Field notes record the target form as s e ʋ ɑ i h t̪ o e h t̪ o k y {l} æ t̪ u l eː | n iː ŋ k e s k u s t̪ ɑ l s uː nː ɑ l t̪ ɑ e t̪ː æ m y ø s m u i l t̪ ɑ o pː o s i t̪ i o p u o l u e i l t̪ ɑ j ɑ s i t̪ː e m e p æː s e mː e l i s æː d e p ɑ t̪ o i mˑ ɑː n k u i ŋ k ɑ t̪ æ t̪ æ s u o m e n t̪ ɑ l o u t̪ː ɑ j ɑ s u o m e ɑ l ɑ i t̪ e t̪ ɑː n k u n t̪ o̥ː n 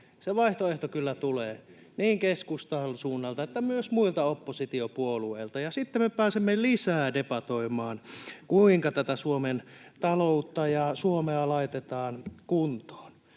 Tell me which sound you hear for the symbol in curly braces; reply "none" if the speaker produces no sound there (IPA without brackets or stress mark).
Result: lː